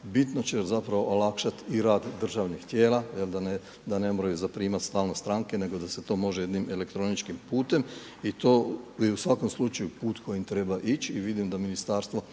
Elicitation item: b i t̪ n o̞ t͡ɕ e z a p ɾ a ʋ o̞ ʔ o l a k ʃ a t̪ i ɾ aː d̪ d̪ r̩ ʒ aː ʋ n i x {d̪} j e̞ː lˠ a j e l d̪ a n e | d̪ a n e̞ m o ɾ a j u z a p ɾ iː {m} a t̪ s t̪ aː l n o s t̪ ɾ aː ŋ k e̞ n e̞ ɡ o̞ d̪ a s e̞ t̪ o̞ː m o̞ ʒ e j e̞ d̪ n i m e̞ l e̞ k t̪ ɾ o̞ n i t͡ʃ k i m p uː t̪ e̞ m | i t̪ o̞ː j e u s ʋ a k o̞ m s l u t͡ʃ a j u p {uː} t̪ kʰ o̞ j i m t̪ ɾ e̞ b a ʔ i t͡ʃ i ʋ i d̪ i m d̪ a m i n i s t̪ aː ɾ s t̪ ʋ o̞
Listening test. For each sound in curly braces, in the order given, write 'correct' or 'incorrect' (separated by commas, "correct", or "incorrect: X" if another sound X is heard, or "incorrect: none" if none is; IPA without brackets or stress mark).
incorrect: t̪, correct, correct